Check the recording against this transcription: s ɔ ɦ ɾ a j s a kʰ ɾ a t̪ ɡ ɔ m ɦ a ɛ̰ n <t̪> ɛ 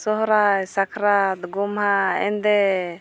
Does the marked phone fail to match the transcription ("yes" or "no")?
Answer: yes